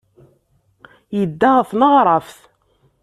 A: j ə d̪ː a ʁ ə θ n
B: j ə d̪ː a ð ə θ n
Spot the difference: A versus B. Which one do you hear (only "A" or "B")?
A